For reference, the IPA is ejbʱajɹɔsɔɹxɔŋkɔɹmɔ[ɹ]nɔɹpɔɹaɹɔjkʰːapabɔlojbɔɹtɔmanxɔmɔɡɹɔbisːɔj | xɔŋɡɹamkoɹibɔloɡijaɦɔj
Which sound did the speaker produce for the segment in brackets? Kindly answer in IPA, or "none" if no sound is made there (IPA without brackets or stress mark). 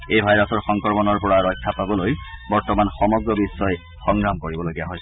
none